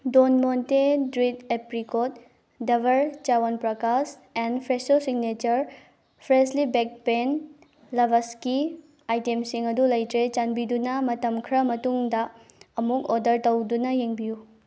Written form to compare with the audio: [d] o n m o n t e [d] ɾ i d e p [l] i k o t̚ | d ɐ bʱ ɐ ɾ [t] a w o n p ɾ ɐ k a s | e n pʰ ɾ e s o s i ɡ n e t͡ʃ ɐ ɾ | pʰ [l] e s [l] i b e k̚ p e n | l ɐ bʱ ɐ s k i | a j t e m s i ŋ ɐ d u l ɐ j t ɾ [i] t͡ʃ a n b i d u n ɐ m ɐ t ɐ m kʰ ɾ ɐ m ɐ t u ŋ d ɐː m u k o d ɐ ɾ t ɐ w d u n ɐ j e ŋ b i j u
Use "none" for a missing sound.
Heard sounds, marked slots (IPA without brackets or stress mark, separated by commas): d, d, ɾ, t͡ʃ, ɾ, l, e